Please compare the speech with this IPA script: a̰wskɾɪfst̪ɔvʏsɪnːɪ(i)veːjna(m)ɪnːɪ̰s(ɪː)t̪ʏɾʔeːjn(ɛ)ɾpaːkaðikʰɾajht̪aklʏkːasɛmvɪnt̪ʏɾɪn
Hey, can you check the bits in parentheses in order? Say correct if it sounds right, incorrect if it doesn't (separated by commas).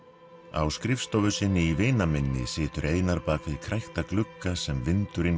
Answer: correct, correct, correct, incorrect